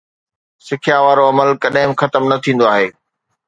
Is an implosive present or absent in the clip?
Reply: present